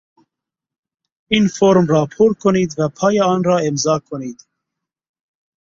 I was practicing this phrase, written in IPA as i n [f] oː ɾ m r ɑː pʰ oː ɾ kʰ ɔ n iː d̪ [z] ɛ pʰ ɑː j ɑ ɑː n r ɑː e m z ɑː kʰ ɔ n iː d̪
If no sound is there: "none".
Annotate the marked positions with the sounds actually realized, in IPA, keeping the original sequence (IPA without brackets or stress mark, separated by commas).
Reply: f, v